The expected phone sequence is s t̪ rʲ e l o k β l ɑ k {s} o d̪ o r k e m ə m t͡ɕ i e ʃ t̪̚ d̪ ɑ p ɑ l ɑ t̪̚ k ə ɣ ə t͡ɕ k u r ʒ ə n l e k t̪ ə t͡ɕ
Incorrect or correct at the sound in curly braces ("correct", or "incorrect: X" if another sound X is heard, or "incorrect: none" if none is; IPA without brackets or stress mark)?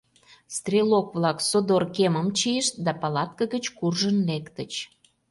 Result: correct